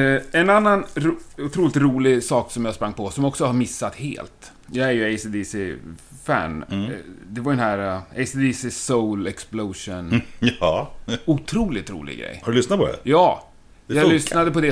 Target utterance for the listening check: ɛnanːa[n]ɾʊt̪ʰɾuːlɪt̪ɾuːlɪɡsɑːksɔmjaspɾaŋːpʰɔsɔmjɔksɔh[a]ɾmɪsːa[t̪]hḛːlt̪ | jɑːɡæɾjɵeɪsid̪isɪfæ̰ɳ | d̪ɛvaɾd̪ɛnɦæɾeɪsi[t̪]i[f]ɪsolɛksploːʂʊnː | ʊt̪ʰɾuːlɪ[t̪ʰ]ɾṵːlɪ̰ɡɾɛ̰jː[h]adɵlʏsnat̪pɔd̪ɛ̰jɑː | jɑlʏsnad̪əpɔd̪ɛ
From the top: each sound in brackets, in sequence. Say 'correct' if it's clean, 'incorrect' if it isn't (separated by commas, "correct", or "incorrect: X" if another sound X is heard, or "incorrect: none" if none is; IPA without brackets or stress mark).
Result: correct, correct, correct, incorrect: d̪, incorrect: s, incorrect: t̪, correct